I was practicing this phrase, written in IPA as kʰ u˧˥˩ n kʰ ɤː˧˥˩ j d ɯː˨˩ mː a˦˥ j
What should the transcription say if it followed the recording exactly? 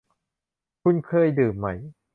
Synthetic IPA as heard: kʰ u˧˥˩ n kʰ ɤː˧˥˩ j d ɯː˨˩ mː a˦˥ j